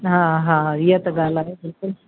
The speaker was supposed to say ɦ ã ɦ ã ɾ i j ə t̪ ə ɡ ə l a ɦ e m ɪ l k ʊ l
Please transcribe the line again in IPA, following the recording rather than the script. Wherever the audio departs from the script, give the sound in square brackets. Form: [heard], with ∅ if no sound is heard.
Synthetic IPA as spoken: ɦ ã ɦ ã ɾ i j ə t̪ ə ɡ [a] l a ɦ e [b] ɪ l k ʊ l